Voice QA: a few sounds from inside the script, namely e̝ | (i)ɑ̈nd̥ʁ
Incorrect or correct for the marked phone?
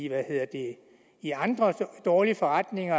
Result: correct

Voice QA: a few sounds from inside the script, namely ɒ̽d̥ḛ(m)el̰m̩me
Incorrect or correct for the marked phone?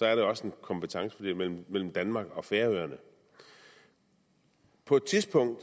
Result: correct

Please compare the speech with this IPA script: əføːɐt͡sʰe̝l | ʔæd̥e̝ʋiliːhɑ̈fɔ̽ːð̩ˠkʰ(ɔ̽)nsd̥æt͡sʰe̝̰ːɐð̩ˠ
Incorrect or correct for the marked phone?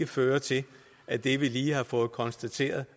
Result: incorrect: ɒ̽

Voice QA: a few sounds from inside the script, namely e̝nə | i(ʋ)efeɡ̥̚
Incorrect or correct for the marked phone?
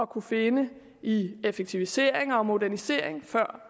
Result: incorrect: none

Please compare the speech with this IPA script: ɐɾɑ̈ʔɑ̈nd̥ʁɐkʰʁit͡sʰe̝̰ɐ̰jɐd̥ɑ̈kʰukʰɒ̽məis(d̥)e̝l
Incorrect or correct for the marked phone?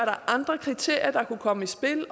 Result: incorrect: b̥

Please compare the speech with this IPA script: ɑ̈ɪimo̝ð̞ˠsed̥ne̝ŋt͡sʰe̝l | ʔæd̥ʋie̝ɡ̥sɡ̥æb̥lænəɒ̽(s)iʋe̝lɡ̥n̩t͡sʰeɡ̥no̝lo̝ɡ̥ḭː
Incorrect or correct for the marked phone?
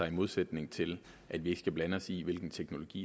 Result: correct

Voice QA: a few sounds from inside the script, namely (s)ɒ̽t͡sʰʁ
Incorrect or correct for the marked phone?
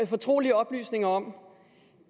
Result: incorrect: f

